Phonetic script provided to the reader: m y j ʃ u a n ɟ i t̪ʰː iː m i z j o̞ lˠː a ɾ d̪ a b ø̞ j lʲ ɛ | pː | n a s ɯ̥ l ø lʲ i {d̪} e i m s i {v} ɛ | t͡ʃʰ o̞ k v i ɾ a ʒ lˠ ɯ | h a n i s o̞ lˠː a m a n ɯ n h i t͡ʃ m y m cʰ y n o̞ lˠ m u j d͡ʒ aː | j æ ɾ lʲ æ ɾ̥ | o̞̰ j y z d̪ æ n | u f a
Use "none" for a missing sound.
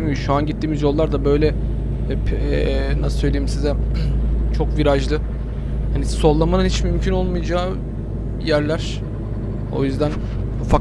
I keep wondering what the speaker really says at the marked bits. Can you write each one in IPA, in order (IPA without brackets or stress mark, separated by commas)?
none, z